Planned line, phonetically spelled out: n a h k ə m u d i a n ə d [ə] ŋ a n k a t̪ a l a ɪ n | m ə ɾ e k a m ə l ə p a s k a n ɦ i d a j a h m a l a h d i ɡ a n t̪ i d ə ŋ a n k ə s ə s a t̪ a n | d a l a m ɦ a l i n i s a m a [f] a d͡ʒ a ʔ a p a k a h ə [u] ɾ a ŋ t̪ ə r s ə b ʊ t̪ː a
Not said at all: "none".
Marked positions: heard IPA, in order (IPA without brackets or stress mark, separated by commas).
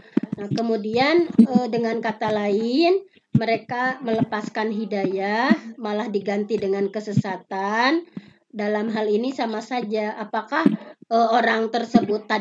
ə, s, o